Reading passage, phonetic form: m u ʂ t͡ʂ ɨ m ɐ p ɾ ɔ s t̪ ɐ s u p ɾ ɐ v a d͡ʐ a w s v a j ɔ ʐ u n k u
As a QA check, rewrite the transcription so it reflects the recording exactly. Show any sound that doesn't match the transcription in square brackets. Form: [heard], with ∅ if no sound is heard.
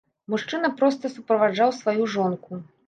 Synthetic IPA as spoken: m u ʂ t͡ʂ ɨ [n] ɐ p ɾ ɔ s t̪ ɐ s u p ɾ ɐ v a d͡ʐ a w s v a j [u] ʐ [ɔ] n k u